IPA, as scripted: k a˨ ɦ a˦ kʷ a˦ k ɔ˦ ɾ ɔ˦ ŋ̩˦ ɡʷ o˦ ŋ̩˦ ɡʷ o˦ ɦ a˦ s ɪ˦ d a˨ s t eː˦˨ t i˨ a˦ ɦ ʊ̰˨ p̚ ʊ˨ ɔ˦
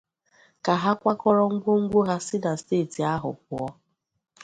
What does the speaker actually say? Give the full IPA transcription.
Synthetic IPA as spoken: k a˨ ɦ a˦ kʷ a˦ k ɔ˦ ɾ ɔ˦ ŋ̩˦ ɡʷ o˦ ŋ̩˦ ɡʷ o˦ ɦ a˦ s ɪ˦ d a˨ s t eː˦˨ t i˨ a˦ ɦ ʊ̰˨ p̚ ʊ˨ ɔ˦